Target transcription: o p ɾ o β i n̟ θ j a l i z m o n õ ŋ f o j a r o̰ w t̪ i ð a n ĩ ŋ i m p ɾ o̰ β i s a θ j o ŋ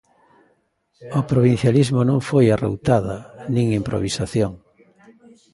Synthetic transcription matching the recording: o p ɾ o β i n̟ θ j a l i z m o n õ ŋ f o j a r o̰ w t̪ a ð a n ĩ ŋ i m p ɾ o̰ β i s a θ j o ŋ